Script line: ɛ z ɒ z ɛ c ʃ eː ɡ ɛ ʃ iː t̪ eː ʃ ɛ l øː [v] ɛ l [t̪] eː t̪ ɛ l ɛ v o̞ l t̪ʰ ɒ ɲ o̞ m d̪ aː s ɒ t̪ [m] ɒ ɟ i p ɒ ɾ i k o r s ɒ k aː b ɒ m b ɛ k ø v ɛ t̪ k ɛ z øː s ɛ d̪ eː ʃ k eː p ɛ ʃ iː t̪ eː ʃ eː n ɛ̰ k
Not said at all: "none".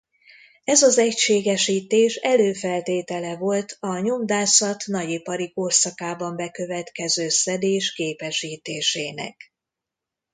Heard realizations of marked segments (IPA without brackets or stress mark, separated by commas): f, t̪, n